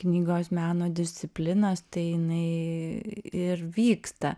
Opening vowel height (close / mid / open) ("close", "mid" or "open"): close